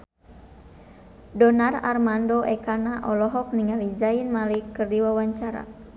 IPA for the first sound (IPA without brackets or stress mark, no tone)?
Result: d